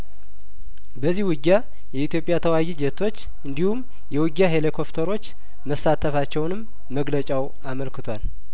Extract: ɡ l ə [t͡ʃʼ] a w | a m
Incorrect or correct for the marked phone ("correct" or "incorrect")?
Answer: correct